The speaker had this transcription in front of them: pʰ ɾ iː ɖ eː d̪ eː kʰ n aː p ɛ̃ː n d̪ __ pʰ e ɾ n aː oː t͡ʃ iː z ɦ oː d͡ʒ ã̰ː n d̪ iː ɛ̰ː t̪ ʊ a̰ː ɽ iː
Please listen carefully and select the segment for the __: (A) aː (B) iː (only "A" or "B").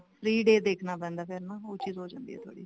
A